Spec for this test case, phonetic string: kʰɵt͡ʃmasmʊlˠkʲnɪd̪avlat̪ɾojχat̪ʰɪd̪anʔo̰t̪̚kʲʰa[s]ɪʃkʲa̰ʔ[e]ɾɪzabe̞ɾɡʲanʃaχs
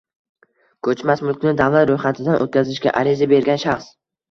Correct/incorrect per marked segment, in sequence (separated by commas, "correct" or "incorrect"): incorrect, incorrect